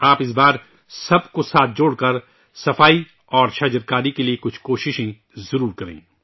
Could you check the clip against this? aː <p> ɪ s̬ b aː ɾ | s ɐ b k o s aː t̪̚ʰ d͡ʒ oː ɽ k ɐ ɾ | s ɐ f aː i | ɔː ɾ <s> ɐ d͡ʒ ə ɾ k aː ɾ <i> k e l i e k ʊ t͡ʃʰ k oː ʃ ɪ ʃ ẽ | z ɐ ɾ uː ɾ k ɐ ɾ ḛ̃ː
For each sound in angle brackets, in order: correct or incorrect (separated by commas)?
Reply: correct, incorrect, correct